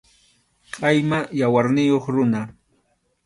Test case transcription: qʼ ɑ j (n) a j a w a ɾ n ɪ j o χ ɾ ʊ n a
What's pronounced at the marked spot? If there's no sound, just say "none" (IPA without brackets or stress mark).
m